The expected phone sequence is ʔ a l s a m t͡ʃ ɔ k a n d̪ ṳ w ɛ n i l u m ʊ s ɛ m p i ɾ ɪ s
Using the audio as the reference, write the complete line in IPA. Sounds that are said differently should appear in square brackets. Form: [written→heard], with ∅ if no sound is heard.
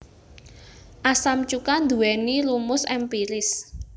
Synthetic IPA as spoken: ʔ a [l→∅] s a m t͡ʃ [ɔ→u] k a n d̪ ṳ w ɛ n i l u m ʊ s ɛ m p i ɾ ɪ s